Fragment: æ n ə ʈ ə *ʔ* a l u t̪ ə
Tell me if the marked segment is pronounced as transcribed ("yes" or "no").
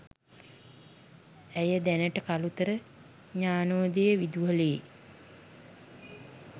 no